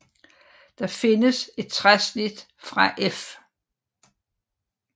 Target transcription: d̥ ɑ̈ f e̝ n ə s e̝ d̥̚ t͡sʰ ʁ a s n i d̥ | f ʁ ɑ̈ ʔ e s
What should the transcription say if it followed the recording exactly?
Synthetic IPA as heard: d̥ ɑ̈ f e̝ n ə s e̝ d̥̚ t͡sʰ ʁ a s n i d̥ | f ʁ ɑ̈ ʔ e f